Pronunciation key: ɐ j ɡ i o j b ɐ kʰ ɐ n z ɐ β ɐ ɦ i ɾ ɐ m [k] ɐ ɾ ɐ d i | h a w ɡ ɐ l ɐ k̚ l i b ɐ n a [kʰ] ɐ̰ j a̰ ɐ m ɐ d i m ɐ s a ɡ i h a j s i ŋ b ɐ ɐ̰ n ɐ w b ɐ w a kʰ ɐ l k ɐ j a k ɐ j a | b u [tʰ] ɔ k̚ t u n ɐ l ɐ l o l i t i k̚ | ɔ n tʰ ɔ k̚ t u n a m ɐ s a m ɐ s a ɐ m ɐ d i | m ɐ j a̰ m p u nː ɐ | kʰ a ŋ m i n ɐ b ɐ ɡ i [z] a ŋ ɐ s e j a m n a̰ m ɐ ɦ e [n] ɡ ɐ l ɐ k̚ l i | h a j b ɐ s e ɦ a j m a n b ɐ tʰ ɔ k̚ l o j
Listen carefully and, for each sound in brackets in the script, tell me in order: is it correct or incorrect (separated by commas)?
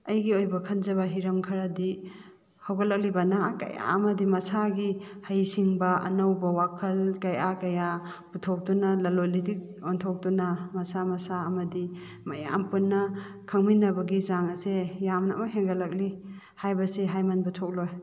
incorrect, incorrect, correct, correct, incorrect